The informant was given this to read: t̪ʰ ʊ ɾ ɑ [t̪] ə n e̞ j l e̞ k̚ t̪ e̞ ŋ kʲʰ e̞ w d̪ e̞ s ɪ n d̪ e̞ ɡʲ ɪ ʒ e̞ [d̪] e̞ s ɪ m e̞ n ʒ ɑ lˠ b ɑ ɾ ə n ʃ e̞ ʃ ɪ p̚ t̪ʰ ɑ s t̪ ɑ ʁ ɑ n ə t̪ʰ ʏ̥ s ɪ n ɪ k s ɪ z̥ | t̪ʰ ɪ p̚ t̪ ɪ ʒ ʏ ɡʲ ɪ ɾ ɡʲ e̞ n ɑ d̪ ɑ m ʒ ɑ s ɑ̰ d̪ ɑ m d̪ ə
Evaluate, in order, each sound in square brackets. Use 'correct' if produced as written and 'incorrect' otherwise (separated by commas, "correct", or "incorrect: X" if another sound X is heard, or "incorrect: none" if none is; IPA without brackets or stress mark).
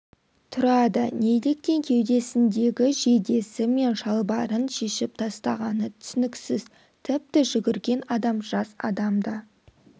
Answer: incorrect: d̪, correct